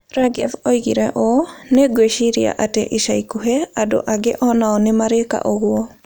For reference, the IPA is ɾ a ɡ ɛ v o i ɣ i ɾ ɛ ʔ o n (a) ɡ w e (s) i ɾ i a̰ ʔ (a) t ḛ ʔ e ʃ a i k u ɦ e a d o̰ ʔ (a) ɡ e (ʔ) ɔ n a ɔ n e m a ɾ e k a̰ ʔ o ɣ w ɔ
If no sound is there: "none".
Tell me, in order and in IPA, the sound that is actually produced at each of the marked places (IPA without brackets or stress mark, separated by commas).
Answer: e, ʃ, a, a, ʔ